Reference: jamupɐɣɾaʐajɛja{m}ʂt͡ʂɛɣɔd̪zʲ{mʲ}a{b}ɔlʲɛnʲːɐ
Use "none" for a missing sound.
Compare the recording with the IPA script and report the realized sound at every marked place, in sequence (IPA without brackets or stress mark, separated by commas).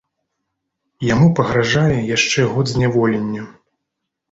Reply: none, nʲ, v